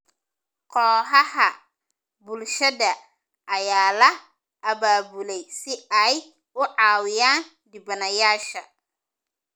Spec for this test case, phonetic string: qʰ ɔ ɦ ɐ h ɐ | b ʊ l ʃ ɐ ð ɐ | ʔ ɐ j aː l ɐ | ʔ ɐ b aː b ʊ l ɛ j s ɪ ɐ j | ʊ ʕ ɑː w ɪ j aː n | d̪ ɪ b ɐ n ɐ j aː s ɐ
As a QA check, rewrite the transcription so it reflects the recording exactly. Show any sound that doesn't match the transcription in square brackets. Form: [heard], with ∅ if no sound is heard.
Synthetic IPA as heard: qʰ [ɔː] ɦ ɐ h ɐ | b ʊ l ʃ ɐ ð ɐ | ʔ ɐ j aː l ɐ | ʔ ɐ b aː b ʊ l ɛ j s ɪ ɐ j | ʊ ʕ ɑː w ɪ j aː n | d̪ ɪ b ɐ n ɐ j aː [ʃ] ɐ